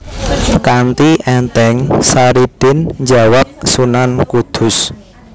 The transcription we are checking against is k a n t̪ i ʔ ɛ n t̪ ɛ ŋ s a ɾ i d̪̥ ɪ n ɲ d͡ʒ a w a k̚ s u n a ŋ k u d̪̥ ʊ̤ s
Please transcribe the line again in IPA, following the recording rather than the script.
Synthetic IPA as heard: k a n t̪ i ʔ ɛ n t̪ ɛ ŋ s a ɾ i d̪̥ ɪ n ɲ d͡ʒ a w a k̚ s u n a n k u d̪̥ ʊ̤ s